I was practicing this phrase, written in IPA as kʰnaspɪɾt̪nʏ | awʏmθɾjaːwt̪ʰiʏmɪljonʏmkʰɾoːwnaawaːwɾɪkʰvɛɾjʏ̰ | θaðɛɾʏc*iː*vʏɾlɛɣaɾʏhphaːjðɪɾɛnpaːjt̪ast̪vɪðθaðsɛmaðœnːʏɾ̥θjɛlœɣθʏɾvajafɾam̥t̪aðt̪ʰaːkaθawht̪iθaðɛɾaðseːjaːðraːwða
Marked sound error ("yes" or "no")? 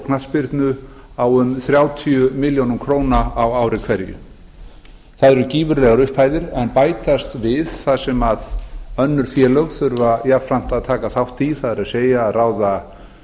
no